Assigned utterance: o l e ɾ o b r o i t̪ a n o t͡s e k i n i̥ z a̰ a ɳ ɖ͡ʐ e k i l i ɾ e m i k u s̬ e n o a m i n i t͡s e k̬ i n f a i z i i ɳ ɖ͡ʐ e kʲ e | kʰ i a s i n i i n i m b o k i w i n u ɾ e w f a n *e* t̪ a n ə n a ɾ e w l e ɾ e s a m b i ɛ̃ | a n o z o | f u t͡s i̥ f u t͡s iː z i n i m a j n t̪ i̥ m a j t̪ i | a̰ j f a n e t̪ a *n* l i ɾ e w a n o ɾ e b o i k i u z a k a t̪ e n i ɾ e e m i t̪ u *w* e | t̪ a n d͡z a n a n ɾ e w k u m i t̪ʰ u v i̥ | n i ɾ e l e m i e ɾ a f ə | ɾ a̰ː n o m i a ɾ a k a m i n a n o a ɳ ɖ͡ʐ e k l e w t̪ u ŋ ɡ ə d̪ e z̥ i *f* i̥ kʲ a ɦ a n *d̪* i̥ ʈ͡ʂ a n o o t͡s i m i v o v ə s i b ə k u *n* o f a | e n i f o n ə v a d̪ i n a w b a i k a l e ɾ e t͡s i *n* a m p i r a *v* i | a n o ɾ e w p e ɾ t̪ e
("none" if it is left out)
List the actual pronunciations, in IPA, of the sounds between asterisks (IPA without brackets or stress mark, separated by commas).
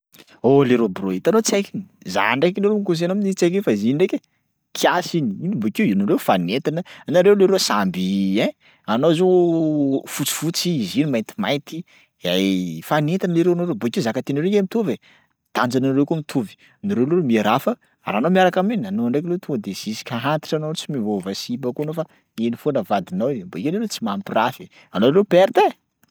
e, n, v, s, t̪, n, m, f